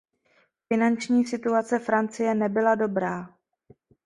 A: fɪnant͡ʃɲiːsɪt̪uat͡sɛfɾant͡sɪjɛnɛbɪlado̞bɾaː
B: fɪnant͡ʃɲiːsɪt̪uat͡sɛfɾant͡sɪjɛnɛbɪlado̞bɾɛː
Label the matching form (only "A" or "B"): A